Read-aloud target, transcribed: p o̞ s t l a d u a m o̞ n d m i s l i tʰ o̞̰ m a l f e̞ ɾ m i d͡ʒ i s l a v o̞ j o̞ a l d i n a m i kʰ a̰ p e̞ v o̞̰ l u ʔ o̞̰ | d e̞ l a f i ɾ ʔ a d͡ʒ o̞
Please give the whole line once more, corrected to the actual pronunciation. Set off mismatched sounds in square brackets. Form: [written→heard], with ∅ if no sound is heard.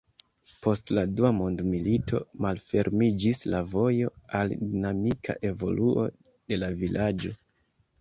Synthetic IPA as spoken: p o̞ s t l a d u a m o̞ n d m i [s→∅] l i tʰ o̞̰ m a l f e̞ ɾ m i d͡ʒ i s l a v o̞ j o̞ a l d i n a m i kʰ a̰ [p→ʔ] e̞ v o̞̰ l u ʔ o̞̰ | d e̞ l a [f→v] i [ɾ→l] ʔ a d͡ʒ o̞